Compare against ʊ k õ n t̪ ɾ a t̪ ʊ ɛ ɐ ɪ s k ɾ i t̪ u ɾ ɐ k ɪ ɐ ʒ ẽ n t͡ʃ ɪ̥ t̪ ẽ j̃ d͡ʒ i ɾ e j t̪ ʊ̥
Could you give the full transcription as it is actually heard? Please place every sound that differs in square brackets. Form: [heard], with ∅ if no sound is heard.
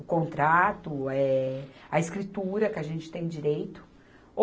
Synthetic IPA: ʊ k õ n t̪ ɾ a t̪ ʊ ɛ ɐ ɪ s k ɾ i t̪ u ɾ ɐ k ɪ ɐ ʒ ẽ n t͡ʃ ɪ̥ t̪ ẽ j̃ d͡ʒ i ɾ e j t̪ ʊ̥

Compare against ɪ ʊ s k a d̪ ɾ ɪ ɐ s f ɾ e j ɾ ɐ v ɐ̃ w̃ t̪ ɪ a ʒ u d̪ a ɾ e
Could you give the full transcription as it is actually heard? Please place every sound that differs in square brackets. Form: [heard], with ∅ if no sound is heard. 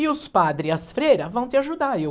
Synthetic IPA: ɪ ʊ s [p] a d̪ ɾ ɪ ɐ s f ɾ e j ɾ ɐ v ɐ̃ w̃ t̪ ɪ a ʒ u d̪ a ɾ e

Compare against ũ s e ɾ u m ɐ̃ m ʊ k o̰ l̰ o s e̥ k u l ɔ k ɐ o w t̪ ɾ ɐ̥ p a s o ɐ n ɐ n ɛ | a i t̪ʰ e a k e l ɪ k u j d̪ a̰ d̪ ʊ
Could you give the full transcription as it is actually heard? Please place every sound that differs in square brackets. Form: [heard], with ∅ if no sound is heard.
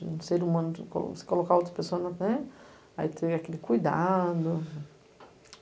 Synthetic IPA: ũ s e ɾ u m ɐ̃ [n] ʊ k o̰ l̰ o s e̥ k [o] l [o] k [a] o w t̪ ɾ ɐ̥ p [e] s o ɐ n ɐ n ɛ | a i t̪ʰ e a k e l ɪ k u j d̪ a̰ d̪ ʊ

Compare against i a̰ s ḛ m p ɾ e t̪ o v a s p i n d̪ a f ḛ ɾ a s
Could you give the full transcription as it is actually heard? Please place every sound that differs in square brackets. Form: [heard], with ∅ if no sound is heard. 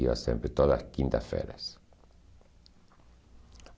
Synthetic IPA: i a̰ s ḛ m p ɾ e t̪ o [ð] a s [k] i n [t̪] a f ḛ ɾ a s

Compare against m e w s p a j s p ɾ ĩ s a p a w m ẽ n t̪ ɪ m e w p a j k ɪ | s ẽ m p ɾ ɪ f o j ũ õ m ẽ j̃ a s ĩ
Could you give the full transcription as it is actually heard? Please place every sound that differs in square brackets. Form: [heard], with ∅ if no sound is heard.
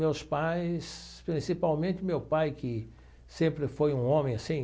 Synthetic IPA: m e w s p a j s p ɾ ĩ s [i] p a w m ẽ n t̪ ɪ m e w p a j k ɪ | s ẽ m p ɾ ɪ f o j ũ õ m ẽ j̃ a s ĩ

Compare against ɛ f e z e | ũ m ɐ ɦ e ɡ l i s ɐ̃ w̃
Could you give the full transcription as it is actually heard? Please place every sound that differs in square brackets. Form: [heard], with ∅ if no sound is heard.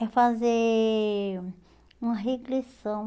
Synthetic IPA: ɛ f [a] z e | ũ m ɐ ɦ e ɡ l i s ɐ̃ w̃

